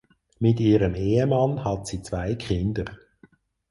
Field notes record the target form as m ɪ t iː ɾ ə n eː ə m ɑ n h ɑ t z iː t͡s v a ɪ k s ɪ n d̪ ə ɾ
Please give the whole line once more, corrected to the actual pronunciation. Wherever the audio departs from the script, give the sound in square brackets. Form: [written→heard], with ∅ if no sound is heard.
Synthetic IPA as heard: m ɪ t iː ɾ ə [n→m] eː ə m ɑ n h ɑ t [z→s] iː t͡s v a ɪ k [s→χ] ɪ n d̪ ə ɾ